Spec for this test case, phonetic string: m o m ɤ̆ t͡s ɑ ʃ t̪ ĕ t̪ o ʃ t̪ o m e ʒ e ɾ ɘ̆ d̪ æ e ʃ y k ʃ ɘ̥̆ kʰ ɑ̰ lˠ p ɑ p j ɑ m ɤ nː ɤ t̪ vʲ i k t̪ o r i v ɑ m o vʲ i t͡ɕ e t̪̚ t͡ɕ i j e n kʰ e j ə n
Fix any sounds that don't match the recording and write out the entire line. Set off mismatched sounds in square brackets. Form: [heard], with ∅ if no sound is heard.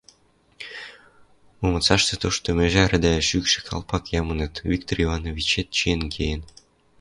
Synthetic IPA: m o m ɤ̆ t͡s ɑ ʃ t̪ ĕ t̪ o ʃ t̪ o m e ʒ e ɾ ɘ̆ d̪ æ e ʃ y k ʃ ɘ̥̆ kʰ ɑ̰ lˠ p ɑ [k] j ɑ m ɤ [n] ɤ t̪ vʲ i k t̪ o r i v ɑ [n] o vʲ i t͡ɕ e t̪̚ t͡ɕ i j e n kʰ e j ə n